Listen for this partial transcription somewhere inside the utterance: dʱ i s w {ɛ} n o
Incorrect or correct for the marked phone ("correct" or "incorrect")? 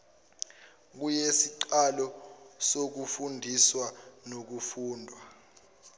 incorrect